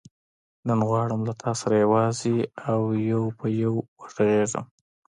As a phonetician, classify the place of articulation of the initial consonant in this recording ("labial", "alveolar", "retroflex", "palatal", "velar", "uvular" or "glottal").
alveolar